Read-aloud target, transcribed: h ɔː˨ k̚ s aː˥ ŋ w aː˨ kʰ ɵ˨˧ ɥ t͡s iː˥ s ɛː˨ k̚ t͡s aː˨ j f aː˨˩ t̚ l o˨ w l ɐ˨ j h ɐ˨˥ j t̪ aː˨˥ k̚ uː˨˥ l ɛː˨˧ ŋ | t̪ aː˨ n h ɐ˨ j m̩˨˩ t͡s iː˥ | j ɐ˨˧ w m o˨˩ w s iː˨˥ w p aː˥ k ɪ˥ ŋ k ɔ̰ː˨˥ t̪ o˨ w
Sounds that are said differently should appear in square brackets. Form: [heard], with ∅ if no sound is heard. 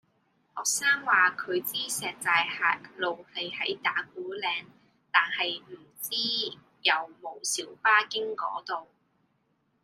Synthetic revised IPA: h ɔː˨ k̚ s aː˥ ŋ w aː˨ kʰ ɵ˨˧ ɥ t͡s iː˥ s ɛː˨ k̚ t͡s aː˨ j [h] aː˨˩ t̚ l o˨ w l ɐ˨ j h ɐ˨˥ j t̪ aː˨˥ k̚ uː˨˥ l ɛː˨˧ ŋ | t̪ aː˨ n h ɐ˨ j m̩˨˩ t͡s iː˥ | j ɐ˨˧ w m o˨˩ w s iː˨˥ w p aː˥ k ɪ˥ ŋ k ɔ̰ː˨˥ t̪ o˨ w